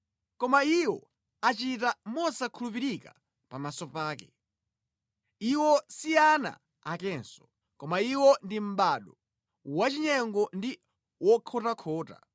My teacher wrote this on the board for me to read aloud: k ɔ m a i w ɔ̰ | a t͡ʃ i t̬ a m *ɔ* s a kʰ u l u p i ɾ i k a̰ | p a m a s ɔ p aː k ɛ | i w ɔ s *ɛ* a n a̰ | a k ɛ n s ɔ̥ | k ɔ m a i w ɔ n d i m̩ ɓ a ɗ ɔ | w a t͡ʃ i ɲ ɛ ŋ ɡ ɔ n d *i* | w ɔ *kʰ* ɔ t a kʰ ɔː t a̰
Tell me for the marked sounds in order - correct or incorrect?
correct, incorrect: i, correct, correct

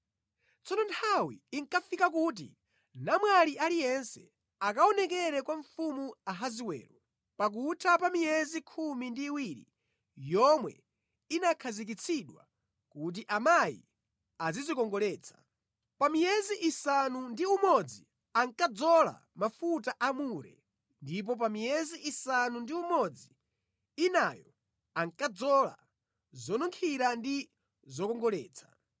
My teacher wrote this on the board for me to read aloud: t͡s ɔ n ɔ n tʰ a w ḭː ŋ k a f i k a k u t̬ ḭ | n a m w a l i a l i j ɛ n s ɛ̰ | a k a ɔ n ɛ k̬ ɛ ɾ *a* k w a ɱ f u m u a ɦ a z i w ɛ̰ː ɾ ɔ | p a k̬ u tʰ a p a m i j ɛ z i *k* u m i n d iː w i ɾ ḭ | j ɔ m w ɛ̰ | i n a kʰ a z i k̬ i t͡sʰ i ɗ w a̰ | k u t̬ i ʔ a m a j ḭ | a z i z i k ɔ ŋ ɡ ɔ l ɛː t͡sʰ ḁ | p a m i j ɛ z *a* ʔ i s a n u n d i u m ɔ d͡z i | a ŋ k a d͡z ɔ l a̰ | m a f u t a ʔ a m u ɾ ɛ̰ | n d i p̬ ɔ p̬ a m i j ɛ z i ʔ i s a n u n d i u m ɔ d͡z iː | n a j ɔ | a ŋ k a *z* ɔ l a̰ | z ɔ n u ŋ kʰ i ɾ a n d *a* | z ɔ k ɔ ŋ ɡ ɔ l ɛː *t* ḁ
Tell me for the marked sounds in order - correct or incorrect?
incorrect: ɛ, incorrect: kʰ, incorrect: i, incorrect: d͡z, incorrect: i, incorrect: t͡sʰ

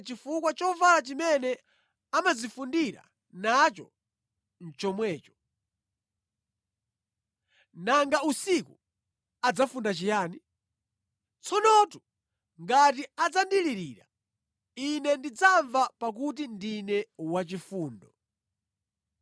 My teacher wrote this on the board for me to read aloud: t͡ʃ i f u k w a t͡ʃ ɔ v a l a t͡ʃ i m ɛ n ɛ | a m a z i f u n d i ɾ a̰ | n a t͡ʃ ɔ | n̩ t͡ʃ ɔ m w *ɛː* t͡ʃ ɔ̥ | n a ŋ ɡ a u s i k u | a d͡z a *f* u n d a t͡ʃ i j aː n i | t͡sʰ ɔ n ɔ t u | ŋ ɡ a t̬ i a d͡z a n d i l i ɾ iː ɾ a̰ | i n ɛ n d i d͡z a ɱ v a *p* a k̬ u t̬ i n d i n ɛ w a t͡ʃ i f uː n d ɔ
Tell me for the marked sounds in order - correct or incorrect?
correct, correct, correct

